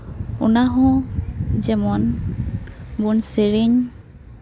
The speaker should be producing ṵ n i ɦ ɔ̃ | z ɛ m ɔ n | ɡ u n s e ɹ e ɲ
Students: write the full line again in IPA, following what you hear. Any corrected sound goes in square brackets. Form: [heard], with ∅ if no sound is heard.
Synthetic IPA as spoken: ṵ n [a] ɦ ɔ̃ | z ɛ m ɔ n | [b] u n s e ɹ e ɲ